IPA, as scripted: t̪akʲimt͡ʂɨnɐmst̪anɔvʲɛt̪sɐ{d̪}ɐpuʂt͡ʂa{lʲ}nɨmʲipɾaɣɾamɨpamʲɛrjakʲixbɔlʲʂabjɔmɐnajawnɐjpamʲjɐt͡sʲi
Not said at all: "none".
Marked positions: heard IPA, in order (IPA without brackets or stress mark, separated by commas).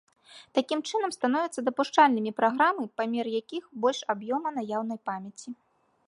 d̪, lʲ